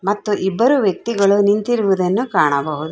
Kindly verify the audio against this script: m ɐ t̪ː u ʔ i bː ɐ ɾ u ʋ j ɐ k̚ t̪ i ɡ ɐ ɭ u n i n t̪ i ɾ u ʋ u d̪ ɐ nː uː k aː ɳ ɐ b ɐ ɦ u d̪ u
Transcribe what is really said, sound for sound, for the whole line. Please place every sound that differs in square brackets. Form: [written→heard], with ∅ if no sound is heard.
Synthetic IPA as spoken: m ɐ t̪ː u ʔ i bː ɐ ɾ u ʋ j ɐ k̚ t̪ i ɡ ɐ ɭ u n i n t̪ i ɾ u ʋ u d̪ ɐ nː [uː→u] k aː ɳ ɐ b ɐ ɦ u d̪ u